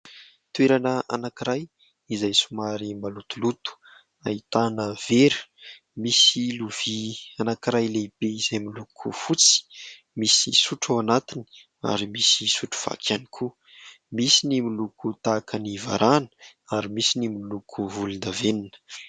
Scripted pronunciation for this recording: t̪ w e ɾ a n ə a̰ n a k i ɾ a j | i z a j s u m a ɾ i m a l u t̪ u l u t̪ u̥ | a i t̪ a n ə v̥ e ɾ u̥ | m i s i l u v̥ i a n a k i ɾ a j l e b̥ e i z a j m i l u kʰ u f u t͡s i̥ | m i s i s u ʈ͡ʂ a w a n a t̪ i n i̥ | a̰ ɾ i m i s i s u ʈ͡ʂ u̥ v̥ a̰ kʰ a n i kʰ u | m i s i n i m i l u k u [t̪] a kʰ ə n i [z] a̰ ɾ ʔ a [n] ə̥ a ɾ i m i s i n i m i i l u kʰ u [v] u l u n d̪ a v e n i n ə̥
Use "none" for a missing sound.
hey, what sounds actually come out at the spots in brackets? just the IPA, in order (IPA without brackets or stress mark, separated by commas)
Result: t̪, v, n, v